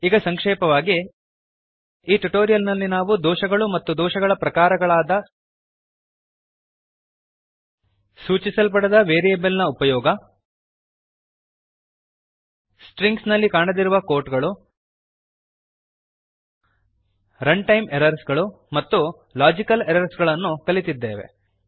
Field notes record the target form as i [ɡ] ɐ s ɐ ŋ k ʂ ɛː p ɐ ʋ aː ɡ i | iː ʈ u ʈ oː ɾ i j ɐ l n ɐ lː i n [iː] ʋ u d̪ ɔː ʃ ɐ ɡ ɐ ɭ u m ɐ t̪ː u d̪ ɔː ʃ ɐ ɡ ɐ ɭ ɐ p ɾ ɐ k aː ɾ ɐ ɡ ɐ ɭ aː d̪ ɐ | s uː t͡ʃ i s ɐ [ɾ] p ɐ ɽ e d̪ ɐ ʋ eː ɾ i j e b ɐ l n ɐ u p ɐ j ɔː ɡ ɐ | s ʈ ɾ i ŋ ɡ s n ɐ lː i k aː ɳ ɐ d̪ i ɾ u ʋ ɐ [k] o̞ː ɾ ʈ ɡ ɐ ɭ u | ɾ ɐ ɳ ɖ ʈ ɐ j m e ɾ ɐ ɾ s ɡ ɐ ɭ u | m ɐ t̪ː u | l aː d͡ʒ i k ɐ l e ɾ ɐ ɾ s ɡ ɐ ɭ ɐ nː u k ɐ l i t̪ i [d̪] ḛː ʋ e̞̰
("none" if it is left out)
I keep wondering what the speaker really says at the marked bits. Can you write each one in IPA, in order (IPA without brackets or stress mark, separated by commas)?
ɡ, aː, l, k, d̪ː